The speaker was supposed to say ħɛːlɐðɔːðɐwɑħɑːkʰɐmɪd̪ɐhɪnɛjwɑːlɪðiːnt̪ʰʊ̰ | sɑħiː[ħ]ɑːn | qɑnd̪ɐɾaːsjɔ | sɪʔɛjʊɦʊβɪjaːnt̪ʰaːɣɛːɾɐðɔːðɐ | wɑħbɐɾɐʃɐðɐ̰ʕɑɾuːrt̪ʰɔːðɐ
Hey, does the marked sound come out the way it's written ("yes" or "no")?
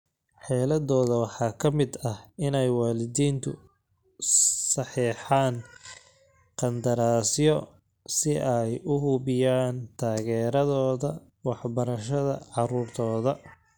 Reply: yes